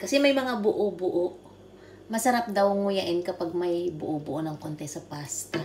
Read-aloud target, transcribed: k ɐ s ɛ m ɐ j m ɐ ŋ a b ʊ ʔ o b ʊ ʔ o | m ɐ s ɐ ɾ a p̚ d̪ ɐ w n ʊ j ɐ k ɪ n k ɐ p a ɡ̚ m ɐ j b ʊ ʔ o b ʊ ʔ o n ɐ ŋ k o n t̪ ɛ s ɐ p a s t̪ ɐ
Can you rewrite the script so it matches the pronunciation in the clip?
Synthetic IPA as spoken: k ɐ s ɛ m ɐ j m ɐ ŋ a b ʊ ʔ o b ʊ ʔ o | m ɐ s ɐ ɾ a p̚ d̪ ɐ w ŋ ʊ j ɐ ʔ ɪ n k ɐ p a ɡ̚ m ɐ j b ʊ ʔ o b ʊ ʔ o n ɐ ŋ k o n t̪ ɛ s ɐ p a s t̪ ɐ